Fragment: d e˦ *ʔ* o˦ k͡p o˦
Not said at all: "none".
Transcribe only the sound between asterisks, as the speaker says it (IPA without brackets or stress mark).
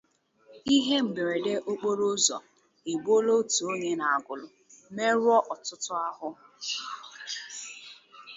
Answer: ʔ